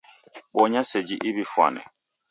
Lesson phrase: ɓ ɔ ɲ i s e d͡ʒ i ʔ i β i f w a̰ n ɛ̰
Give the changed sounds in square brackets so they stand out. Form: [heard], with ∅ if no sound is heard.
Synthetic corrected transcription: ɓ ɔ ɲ [a] s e d͡ʒ i ʔ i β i f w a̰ n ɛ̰